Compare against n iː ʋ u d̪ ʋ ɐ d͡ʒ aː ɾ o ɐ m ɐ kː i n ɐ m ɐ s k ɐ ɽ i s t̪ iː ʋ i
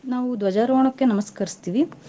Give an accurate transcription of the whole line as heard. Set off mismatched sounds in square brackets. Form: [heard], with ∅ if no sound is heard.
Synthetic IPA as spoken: n [aː] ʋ u d̪ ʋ ɐ d͡ʒ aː ɾ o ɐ [ɳ] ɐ kː [e] n ɐ m ɐ s k ɐ [ɾ] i s t̪ iː ʋ i